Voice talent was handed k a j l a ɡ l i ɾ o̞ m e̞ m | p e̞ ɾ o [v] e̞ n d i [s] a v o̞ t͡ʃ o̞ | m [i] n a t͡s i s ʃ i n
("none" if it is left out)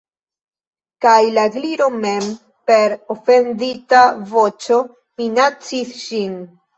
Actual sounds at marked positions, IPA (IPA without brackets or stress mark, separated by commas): f, t, i